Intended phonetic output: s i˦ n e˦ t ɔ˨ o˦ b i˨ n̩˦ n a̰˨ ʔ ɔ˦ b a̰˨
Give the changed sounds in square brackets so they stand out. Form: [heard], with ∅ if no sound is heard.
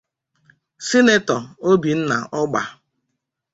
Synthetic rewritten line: s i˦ n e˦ t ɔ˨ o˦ b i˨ n̩˦ n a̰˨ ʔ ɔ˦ [ɡ͡b] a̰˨